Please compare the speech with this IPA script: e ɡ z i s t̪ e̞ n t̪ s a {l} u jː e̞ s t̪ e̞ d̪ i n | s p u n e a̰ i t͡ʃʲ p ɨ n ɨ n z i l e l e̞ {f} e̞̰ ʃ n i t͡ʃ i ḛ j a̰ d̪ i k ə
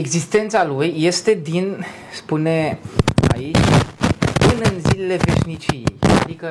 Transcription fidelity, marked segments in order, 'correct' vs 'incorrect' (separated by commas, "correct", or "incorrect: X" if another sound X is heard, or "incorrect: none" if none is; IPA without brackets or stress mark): correct, incorrect: v